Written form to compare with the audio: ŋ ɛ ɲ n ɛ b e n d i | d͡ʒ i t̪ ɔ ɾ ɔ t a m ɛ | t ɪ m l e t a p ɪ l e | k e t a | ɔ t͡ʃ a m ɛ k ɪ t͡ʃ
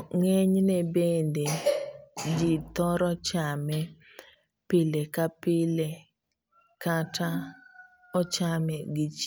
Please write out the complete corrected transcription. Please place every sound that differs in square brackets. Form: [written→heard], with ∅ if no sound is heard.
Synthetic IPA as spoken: ŋ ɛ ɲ n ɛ b e n d [i→e] | d͡ʒ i t̪ ɔ ɾ ɔ [t→t͡ʃ] a m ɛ | [t→p] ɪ [m→∅] l e [t→k] a p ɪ l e | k [e→a] t a | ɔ t͡ʃ a m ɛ [k→ɡ] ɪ t͡ʃ